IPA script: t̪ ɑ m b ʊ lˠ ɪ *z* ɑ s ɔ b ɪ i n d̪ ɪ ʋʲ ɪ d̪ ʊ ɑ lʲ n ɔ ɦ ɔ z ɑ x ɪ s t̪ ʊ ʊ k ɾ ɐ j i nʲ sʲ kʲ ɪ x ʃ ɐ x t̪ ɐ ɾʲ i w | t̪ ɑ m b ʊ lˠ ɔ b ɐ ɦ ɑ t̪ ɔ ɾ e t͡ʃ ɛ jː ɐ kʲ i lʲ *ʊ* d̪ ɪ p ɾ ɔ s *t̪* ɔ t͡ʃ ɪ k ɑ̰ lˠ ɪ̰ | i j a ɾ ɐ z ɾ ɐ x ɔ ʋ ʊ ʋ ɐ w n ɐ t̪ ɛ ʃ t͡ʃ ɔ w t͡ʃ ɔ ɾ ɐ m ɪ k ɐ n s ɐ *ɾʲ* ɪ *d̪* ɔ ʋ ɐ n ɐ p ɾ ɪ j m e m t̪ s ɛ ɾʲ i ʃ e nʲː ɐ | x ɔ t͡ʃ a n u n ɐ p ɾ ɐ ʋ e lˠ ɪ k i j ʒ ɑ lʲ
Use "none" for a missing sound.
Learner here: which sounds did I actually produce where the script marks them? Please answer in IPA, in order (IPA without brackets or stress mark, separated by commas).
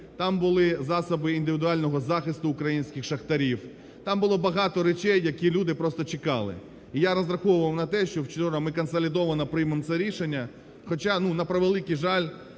z, u, t̪, lʲ, d̪